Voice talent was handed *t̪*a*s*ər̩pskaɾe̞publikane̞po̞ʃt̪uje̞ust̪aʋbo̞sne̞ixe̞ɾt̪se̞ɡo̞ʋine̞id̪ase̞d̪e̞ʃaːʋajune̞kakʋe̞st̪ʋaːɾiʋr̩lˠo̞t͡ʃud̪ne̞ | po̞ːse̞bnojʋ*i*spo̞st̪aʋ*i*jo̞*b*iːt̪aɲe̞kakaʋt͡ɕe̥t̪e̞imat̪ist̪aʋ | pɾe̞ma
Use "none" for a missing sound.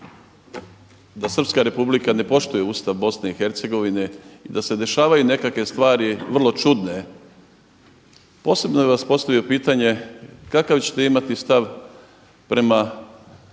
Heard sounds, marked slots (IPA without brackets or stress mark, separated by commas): d̪, s, a, i, p